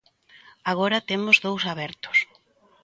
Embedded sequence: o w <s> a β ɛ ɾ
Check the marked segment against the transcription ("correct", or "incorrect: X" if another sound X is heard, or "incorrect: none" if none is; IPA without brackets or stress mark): correct